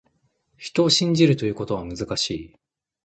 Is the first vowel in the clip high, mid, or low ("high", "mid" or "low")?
high